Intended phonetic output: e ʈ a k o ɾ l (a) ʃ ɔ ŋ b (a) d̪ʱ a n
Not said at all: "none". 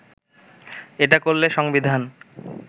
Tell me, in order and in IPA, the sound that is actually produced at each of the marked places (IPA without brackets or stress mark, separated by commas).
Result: e, i